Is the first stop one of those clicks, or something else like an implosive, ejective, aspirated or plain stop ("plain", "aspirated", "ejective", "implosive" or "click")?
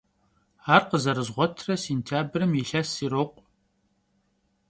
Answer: plain